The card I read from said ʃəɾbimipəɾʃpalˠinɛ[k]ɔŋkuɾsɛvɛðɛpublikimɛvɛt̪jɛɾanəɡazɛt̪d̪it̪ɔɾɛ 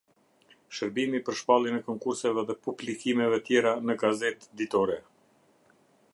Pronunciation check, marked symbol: correct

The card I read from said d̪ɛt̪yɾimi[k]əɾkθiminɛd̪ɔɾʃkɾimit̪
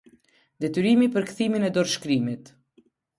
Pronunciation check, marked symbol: incorrect: p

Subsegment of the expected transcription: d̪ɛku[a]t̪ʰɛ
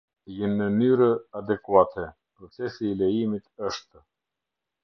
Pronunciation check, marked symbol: correct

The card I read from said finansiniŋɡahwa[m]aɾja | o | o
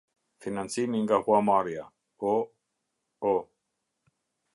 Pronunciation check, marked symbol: correct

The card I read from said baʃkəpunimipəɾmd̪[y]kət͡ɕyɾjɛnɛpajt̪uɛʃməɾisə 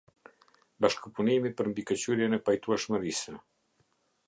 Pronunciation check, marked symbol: incorrect: i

